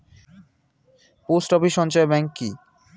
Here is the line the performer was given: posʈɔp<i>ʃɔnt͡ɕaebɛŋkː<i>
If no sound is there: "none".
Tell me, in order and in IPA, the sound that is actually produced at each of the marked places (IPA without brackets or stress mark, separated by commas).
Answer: i, i